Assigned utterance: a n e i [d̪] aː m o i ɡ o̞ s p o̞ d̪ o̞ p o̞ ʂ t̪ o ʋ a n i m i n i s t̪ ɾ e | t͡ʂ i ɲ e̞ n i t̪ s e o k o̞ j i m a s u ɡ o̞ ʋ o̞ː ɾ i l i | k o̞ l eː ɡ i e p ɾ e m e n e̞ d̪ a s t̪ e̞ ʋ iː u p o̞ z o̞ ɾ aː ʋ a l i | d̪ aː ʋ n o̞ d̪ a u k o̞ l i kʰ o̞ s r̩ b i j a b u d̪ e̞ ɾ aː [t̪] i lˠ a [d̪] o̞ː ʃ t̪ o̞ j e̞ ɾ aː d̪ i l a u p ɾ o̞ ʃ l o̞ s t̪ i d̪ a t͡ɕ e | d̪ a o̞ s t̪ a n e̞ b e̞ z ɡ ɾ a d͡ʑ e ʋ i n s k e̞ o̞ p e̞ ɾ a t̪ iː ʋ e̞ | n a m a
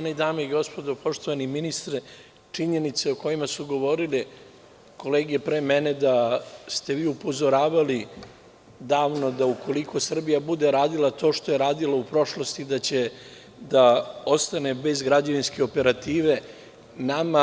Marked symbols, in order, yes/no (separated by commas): yes, no, no